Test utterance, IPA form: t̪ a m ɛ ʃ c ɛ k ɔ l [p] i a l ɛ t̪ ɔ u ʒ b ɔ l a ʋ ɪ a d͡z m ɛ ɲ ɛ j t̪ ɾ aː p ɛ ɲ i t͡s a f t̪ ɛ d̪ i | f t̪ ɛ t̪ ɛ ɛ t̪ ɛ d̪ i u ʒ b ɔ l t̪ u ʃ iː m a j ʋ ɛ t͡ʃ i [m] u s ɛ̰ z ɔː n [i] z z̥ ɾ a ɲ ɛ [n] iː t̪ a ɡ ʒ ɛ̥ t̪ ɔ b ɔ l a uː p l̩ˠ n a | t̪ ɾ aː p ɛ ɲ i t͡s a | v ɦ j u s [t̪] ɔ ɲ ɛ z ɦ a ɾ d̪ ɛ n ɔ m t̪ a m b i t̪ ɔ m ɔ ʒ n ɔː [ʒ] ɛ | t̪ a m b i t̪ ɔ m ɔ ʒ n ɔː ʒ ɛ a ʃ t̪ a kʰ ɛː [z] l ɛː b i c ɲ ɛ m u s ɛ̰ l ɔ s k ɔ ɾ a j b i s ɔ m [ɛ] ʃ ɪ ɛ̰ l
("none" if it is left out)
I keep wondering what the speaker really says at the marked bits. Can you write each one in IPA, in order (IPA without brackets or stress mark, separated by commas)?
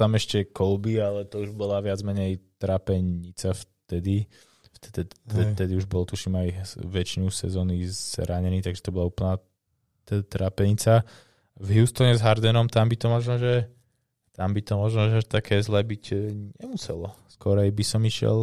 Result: b, n, i, n, t̪, ʒ, z, i